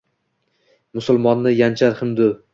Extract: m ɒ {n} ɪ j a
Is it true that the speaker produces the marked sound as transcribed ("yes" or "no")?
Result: no